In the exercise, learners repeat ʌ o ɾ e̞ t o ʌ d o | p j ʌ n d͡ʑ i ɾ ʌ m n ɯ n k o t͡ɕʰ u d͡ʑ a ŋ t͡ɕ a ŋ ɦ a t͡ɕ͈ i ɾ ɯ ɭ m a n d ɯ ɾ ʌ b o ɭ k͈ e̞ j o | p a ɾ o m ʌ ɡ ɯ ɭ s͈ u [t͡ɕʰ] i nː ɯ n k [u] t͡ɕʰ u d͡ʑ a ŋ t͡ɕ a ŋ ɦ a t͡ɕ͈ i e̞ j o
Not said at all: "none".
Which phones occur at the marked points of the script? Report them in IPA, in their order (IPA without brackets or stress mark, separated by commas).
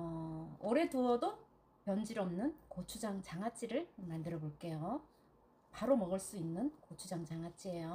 none, o